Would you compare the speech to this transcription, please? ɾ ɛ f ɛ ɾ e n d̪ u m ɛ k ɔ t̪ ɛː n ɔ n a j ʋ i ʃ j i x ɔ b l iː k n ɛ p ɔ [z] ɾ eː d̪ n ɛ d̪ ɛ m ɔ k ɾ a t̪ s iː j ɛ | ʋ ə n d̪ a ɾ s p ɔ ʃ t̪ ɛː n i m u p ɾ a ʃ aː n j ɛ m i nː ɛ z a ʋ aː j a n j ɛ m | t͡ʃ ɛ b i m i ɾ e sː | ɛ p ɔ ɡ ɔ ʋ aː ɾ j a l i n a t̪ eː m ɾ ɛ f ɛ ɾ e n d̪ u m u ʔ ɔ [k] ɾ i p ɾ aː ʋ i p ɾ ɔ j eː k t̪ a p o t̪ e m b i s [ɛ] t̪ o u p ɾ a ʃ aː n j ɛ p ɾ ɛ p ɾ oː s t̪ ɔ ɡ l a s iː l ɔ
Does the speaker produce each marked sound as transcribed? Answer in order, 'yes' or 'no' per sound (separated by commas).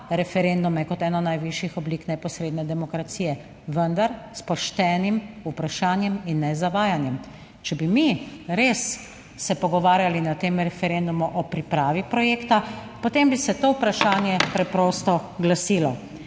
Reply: no, no, yes